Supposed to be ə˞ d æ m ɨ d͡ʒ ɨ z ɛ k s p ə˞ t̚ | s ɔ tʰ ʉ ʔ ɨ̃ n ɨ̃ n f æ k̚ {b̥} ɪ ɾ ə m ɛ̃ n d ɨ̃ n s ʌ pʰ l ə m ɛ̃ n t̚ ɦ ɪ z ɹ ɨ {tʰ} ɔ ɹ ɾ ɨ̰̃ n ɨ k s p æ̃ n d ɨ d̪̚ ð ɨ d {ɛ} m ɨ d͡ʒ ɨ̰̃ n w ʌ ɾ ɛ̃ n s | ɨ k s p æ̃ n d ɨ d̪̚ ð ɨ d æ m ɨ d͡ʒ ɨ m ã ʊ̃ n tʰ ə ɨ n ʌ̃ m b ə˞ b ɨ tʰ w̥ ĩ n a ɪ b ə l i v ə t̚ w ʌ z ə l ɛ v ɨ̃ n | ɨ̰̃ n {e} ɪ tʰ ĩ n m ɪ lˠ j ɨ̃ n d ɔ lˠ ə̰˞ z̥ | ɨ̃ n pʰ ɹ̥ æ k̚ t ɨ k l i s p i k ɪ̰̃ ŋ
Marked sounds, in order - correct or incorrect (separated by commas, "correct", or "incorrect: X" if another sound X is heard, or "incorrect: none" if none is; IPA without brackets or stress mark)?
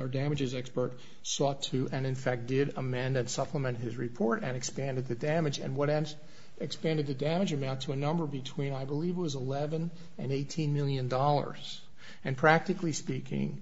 incorrect: d̥, incorrect: pʰ, incorrect: æ, correct